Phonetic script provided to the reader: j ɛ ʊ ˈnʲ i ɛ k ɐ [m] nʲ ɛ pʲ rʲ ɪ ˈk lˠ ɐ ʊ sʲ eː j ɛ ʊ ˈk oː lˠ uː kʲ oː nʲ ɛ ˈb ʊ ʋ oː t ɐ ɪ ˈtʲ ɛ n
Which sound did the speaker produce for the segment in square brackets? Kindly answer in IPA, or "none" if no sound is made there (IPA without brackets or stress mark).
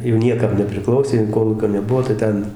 m